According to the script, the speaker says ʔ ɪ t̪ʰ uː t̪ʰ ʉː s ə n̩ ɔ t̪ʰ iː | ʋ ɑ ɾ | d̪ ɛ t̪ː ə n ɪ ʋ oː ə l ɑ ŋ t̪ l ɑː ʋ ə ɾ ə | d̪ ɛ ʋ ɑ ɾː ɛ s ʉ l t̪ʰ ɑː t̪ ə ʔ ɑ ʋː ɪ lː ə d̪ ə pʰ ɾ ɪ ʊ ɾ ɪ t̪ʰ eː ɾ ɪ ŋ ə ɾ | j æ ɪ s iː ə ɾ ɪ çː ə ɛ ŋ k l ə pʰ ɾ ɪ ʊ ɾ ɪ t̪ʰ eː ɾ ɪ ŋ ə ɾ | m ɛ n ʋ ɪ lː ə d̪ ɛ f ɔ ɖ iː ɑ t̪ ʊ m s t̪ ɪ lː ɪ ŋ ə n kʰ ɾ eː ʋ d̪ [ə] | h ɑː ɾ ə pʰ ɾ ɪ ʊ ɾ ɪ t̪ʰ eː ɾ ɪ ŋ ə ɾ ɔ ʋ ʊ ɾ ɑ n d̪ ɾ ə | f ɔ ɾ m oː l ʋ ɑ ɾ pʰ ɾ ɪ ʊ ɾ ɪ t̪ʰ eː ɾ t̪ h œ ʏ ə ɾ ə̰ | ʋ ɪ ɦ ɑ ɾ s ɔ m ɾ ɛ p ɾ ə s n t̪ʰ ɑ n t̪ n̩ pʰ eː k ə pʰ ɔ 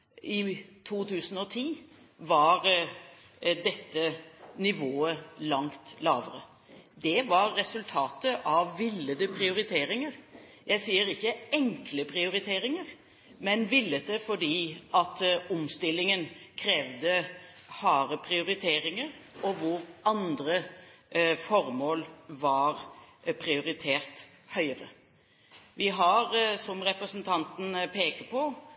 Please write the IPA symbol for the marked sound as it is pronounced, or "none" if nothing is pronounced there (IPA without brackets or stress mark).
ə